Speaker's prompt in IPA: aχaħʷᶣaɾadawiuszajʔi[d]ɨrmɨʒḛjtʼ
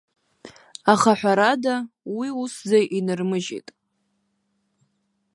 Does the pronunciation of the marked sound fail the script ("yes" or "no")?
yes